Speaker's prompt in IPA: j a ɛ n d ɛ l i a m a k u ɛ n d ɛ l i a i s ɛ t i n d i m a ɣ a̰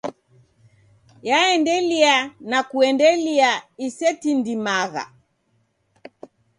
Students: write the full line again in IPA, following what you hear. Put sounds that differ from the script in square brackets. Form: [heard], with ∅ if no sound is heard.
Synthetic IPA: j a ɛ n d ɛ l i a [n] a k u ɛ n d ɛ l i a i s ɛ t i n d i m a ɣ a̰

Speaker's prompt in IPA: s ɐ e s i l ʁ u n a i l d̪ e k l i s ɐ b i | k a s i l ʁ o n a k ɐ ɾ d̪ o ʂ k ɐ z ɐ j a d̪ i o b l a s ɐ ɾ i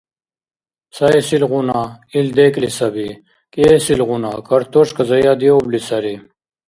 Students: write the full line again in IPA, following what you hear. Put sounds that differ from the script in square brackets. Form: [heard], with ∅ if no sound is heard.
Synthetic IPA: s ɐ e s i l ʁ u n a i l d̪ e k l i s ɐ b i | k [e] s i l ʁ [u] n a k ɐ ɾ [t̪] o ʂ k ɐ z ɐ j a d̪ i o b l [i] s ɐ ɾ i

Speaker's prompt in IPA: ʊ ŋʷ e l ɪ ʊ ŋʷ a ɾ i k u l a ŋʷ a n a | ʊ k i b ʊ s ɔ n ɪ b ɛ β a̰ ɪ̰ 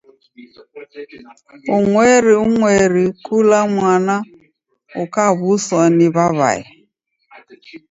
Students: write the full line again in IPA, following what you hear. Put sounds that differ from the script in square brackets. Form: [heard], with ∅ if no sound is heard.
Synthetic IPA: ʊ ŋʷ e [ɾ] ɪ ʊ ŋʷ [e] ɾ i k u l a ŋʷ a n a | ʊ k [a] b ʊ s ɔ n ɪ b [a] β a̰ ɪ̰

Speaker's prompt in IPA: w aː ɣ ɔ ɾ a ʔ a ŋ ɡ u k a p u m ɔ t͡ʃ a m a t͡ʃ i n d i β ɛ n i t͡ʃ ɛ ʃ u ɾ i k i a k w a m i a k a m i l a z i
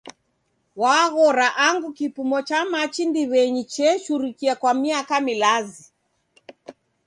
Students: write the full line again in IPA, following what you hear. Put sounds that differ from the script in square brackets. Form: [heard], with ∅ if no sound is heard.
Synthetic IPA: w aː ɣ ɔ ɾ a ʔ a ŋ ɡ u k [i] p u m ɔ t͡ʃ a m a t͡ʃ i n d i β ɛ [ɲ] i t͡ʃ ɛ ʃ u ɾ i k i a k w a m i a k a m i l a z i

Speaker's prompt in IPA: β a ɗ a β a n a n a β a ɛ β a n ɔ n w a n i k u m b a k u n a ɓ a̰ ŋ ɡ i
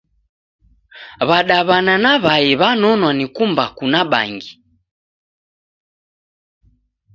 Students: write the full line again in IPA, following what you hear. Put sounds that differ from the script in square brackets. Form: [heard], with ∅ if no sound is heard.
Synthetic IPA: β a ɗ a β a n a n a β a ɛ β a n ɔ n w a n i k u m b a k u n a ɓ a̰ ŋ ɡ i

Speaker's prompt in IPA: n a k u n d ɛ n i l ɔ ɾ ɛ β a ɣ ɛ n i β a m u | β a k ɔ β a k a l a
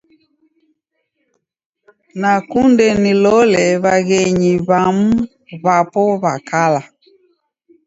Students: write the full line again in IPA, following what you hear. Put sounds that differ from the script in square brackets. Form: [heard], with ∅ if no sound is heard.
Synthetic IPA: n a k u n d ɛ n i l ɔ [l] ɛ β a ɣ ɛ [ɲ] i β a m u | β a [p] ɔ β a k a l a

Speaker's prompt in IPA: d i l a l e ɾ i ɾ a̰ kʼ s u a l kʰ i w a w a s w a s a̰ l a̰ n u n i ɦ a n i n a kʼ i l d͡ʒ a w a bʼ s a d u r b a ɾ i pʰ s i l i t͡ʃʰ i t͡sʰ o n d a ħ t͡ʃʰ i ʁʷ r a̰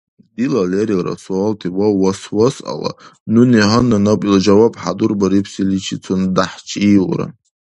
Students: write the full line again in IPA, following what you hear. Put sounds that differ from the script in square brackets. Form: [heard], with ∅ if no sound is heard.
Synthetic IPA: d i l a l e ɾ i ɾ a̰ [∅] s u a l [tʰ] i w a w a s w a s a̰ l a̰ n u n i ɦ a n [a] n a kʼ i l d͡ʒ a w a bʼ [ħ] a d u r b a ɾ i pʰ s i l i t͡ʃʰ i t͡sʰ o n d a ħ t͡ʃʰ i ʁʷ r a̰

